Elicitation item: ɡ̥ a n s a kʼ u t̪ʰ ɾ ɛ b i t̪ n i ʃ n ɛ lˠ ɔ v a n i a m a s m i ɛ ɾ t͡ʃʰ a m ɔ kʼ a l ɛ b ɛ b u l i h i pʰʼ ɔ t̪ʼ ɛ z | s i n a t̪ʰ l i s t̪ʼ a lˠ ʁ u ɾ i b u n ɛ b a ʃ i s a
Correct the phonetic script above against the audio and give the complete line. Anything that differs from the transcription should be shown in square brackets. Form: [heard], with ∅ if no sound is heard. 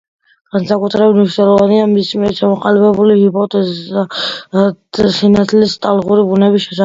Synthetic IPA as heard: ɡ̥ a n s a kʼ u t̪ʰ ɾ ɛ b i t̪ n i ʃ n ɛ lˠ ɔ v a n i a m [i] s m i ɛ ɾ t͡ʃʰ a m ɔ [qʼ] a l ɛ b ɛ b u l i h i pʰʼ ɔ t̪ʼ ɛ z | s i n a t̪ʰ l i s t̪ʼ a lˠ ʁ u ɾ i b u n ɛ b [i] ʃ [ɛ] s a